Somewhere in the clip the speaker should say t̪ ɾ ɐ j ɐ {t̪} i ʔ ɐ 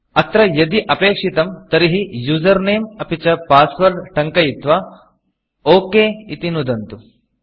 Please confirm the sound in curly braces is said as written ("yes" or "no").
no